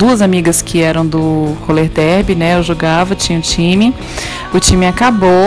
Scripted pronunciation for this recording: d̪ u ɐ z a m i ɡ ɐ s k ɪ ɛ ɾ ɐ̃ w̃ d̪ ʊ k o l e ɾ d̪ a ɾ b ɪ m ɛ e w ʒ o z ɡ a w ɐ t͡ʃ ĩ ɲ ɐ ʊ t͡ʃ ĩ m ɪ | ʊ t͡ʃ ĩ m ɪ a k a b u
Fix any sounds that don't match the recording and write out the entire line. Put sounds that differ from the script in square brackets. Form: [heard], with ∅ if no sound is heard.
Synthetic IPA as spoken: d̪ u ɐ z a m i ɡ ɐ s k ɪ ɛ ɾ ɐ̃ w̃ d̪ ʊ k o l e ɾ d̪ [ɛ] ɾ b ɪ [n] ɛ e w ʒ o [∅] ɡ a [v] ɐ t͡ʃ ĩ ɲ ɐ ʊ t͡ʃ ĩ m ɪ | ʊ t͡ʃ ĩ m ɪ a k a b [o]